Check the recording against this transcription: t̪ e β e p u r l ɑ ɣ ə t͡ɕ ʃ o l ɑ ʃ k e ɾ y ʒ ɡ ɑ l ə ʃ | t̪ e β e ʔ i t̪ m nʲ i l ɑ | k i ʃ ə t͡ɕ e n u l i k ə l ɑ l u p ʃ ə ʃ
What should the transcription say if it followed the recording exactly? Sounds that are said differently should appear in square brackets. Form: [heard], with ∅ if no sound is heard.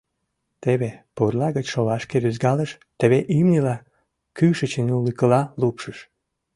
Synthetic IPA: t̪ e β e p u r l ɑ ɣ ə t͡ɕ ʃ o l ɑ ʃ k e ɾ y [z] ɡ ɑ l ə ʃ | t̪ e β e ʔ i [∅] m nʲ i l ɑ | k [y] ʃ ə t͡ɕ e n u l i k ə l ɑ l u p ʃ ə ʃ